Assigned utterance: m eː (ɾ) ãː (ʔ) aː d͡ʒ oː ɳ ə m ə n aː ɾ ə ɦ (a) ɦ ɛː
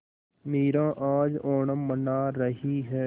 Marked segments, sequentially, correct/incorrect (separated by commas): correct, correct, incorrect